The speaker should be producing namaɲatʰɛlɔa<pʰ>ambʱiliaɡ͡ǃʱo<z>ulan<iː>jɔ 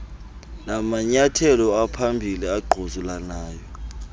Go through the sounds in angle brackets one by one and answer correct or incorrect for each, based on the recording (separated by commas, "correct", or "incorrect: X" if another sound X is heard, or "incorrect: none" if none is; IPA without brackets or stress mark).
correct, correct, incorrect: aː